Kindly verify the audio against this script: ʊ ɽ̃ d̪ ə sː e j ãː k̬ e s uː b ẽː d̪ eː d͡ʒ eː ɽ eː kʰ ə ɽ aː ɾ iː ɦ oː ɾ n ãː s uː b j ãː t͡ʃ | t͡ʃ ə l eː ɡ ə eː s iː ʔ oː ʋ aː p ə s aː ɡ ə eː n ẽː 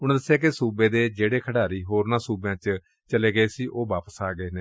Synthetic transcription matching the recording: ʊ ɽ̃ d̪ ə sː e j aː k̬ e s uː b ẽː d̪ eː d͡ʒ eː ɽ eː kʰ ə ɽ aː ɾ iː ɦ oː ɾ n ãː s uː b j ãː t͡ʃ | t͡ʃ ə l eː ɡ ə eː s iː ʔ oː ʋ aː p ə s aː ɡ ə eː n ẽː